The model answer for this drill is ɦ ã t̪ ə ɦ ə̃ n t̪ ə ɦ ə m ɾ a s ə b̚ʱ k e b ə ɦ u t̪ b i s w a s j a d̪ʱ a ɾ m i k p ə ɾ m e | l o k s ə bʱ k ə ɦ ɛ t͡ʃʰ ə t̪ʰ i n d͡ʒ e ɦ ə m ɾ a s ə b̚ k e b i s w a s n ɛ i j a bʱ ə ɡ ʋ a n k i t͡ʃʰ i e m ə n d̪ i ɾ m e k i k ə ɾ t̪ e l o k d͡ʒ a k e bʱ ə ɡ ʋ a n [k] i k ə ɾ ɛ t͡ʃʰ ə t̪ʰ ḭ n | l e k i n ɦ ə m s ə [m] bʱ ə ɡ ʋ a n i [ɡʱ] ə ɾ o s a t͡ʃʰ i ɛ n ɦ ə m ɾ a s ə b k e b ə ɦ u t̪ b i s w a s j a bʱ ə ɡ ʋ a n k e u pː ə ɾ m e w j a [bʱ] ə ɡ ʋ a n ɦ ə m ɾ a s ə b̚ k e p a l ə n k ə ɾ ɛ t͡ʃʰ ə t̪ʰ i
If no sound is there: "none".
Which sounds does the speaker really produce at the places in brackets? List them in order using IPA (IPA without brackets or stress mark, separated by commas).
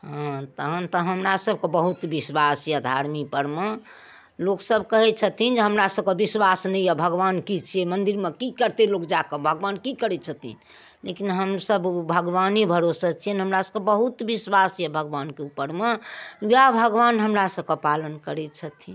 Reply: k, b, bʱ, bʱ